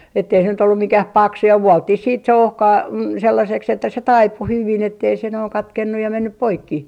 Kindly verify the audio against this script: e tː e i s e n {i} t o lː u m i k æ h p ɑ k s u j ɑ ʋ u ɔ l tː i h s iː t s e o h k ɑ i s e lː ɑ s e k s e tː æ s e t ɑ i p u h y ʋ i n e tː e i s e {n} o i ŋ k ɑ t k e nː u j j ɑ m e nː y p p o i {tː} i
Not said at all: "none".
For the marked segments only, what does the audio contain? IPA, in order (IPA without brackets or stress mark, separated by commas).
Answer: y, n, kː